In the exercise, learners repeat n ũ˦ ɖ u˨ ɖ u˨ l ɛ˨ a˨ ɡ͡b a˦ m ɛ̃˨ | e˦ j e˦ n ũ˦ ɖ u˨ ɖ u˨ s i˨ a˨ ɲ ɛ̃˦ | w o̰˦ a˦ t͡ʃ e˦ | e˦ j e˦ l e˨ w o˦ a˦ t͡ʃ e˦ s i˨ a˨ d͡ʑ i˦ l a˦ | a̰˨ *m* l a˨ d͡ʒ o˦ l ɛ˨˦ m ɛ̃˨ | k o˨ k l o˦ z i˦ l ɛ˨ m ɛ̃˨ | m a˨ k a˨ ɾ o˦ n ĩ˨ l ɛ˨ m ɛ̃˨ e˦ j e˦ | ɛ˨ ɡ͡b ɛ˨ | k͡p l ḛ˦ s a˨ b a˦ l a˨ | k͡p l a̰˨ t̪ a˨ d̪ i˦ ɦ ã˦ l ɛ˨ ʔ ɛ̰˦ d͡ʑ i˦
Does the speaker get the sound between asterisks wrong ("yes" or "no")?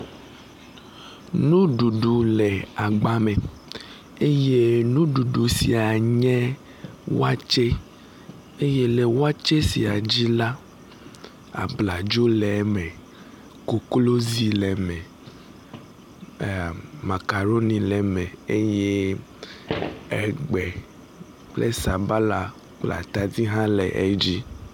yes